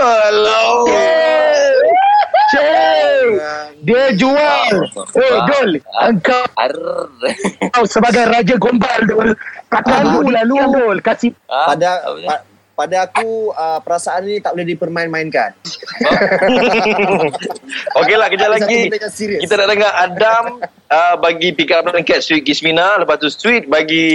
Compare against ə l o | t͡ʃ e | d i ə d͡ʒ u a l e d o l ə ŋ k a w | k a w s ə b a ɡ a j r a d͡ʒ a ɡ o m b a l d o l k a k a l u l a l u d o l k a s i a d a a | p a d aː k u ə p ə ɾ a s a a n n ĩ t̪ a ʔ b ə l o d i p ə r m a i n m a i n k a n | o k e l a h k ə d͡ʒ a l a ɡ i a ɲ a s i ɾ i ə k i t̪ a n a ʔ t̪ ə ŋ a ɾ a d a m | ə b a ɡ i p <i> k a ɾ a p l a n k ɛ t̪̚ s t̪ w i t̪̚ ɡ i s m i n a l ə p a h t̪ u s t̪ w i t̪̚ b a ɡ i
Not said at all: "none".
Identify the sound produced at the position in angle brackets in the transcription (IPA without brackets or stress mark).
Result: i